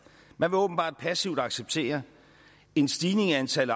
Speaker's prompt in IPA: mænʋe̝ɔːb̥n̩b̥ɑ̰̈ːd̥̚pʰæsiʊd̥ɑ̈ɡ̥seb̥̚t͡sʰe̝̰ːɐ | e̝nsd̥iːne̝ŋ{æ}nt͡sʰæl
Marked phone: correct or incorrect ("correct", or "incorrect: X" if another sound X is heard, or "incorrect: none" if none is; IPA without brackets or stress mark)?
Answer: correct